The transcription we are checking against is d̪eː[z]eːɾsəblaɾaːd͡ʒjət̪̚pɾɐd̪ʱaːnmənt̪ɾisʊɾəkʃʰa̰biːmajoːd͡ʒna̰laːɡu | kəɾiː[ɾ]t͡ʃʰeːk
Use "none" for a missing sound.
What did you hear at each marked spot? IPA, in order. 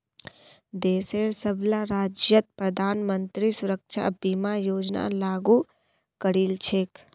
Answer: s, l

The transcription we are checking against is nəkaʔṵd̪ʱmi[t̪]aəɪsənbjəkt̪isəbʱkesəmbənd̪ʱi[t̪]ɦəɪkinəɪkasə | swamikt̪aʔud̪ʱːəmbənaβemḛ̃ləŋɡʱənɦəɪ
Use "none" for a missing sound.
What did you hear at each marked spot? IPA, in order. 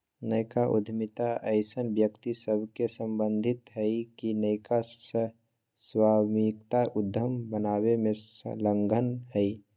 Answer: t̪, t̪

